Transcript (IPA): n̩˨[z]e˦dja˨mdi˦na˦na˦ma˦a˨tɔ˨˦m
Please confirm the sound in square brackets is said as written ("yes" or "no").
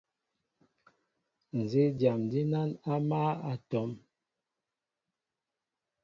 yes